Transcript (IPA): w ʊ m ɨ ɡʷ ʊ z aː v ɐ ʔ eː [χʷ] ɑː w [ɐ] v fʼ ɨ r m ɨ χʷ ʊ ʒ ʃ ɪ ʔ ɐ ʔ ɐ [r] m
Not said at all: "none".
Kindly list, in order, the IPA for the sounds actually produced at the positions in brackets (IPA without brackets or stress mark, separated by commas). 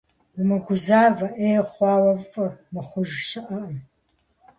χʷ, ɐ, none